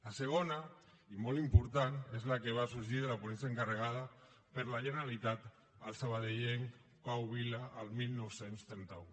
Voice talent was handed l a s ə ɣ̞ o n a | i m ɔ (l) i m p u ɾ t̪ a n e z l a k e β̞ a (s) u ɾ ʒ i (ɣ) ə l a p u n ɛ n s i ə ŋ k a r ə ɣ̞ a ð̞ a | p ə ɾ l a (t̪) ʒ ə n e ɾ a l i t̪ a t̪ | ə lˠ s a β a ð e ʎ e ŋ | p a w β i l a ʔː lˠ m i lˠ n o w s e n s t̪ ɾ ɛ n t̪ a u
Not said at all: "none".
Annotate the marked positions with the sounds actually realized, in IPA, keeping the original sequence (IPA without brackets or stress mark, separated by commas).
l, s, ð, none